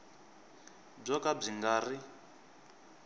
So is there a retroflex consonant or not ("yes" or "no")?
yes